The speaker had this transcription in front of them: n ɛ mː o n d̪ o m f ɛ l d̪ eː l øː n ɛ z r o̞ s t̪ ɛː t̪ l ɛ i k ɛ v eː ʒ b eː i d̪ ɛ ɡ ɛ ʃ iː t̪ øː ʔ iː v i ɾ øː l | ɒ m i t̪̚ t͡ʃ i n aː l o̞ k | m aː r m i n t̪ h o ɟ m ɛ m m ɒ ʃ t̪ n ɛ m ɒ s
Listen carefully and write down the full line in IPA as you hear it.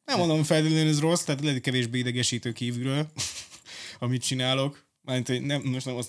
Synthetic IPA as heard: n ɛ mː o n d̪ o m f ɛ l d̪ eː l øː n ɛ z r o̞ s t̪ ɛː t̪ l ɛ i k ɛ v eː ʒ b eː i d̪ ɛ ɡ ɛ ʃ iː t̪ øː k iː v y ɾ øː l | ɒ m i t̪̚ t͡ʃ i n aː l o̞ k | m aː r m i n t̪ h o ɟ n ɛ m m o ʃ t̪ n ɛ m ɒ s